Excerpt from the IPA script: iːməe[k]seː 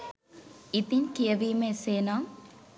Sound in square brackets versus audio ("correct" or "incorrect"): incorrect